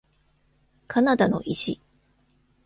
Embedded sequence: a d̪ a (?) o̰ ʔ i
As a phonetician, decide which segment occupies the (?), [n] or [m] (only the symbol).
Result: n